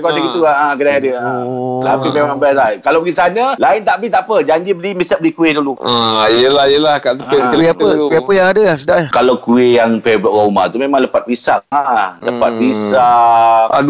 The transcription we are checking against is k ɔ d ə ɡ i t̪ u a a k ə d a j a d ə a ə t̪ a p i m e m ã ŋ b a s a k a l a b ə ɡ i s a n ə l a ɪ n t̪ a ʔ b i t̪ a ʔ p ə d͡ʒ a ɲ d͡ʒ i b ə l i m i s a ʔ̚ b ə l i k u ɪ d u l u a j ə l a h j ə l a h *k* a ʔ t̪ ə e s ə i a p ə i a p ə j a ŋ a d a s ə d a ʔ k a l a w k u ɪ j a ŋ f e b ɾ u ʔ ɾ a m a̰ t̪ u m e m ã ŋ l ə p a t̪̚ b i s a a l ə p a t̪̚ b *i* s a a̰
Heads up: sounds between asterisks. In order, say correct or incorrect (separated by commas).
correct, correct